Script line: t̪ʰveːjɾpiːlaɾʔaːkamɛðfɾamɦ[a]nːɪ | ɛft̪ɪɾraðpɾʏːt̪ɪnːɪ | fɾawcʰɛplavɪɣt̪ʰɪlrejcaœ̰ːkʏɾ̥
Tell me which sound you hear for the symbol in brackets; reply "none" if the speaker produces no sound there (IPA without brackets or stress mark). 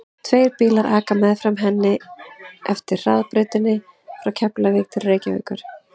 ɛ